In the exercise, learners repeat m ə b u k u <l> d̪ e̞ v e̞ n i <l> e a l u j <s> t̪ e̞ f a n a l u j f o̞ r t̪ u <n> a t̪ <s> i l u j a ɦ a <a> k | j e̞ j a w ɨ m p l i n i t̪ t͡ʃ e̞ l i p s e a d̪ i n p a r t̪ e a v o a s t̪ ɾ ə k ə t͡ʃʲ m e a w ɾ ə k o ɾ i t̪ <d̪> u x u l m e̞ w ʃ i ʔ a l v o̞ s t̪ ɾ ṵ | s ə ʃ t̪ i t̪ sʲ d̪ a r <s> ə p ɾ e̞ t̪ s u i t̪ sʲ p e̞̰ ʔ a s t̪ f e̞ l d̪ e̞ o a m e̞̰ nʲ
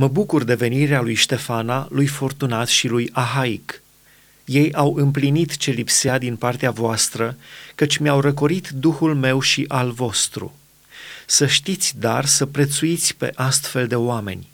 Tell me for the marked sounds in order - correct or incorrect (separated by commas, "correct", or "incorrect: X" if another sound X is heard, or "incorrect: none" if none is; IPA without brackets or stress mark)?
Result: incorrect: r, incorrect: ɾ, incorrect: ʃ, correct, incorrect: ʃ, incorrect: i, correct, correct